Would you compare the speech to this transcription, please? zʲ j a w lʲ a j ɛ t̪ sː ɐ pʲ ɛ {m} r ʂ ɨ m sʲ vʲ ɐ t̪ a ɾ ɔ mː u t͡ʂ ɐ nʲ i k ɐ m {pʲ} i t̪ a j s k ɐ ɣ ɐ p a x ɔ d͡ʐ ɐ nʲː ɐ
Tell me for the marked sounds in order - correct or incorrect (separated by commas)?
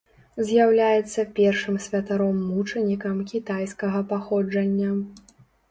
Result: incorrect, incorrect